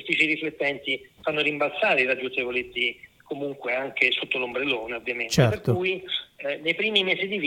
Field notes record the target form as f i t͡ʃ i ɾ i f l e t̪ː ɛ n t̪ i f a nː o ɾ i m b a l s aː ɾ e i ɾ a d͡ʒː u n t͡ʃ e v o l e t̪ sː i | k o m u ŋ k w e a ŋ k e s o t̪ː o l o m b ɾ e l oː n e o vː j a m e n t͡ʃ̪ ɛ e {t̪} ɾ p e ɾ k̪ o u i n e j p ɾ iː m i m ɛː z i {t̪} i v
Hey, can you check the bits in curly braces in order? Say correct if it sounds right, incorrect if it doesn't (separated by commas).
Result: incorrect, incorrect